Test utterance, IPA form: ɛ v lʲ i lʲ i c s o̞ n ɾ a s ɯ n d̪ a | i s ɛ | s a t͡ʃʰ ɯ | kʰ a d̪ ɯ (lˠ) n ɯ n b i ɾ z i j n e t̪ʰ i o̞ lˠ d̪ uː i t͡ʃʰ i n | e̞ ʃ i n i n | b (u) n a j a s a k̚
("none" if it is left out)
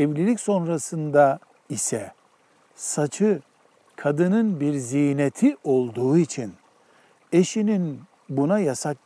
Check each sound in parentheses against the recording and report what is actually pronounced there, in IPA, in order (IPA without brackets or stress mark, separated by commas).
none, u